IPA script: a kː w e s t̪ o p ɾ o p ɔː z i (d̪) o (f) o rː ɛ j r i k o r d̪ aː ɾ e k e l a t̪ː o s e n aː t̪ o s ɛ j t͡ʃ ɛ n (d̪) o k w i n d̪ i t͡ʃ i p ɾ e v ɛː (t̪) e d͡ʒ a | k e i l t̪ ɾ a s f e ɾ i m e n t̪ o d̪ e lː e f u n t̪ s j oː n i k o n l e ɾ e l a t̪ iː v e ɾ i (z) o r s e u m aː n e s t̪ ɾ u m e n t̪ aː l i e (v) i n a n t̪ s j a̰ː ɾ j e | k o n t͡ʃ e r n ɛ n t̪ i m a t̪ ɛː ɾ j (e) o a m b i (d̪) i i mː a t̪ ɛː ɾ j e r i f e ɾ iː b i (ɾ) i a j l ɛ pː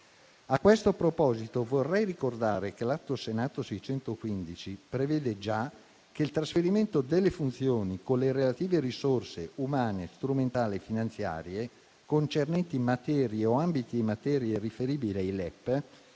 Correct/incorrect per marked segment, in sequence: incorrect: t̪, incorrect: v, incorrect: t̪, incorrect: d̪, incorrect: s, incorrect: f, correct, incorrect: t̪, incorrect: l

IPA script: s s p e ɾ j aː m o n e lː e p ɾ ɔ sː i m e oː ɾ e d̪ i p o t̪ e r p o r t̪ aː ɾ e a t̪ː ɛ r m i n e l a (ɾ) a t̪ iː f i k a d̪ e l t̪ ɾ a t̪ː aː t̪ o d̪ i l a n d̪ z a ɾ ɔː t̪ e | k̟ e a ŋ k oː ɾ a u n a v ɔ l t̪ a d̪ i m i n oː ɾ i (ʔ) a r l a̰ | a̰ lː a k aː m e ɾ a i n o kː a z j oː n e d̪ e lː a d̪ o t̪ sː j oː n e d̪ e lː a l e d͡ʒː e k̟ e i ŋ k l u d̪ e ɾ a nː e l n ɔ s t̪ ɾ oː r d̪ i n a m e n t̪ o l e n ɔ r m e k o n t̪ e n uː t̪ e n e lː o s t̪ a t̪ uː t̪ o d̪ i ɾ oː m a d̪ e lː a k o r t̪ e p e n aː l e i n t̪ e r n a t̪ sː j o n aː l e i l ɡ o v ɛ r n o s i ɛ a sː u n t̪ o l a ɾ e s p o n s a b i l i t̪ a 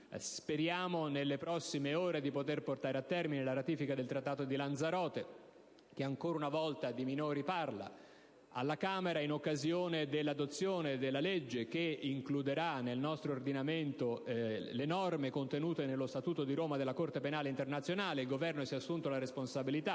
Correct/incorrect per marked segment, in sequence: correct, incorrect: p

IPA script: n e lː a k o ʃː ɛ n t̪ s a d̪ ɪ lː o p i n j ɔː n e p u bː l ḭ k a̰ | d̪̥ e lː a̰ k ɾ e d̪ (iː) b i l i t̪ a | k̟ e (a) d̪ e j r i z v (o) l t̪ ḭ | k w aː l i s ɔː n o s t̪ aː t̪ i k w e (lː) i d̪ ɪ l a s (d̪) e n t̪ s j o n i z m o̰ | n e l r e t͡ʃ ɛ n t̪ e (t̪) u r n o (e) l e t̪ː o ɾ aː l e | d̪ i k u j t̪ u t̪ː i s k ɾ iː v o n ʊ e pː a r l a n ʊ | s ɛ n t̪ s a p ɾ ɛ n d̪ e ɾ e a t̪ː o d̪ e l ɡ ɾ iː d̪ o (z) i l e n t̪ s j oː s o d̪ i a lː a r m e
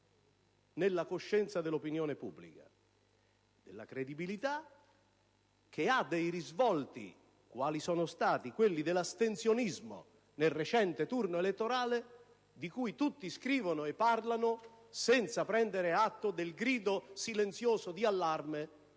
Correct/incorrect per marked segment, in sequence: incorrect: i, correct, incorrect: ɔ, correct, incorrect: t̪, correct, correct, incorrect: s

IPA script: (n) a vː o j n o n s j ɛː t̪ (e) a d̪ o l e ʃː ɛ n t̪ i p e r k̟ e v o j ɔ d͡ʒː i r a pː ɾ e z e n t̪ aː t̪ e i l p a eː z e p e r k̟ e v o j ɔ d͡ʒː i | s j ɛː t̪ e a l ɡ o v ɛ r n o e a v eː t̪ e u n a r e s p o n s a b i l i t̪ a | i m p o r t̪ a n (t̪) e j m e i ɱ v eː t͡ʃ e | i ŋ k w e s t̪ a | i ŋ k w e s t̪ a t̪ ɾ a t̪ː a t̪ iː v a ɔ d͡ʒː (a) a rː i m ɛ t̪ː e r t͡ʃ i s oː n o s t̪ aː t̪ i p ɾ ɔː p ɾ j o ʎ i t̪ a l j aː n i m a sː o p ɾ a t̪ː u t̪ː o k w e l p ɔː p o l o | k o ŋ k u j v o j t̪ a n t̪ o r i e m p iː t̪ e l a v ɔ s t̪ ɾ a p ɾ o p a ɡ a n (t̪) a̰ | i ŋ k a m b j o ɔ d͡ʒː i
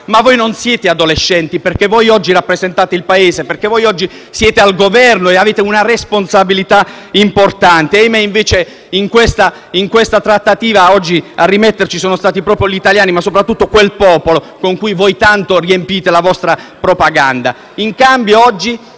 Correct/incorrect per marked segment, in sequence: incorrect: m, correct, correct, incorrect: i, incorrect: d̪

